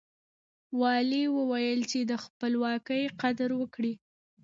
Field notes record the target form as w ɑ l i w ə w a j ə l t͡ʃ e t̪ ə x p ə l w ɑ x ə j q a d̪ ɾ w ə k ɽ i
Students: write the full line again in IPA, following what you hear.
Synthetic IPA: w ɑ l i w ə w a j ə l t͡ʃ e d̪ ə x p ə l w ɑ k ə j q a d̪ ɾ w ə k ɽ i